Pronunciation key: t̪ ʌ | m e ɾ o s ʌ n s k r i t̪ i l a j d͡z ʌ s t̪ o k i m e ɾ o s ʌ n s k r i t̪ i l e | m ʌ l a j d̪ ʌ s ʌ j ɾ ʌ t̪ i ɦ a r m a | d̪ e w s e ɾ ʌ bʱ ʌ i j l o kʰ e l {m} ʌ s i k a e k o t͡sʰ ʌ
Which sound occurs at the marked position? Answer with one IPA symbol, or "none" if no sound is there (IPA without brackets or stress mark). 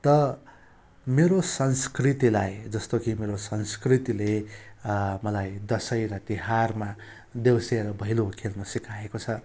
n